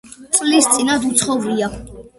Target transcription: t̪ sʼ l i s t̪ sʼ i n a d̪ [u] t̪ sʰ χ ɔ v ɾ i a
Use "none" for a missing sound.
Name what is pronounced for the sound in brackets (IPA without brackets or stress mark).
u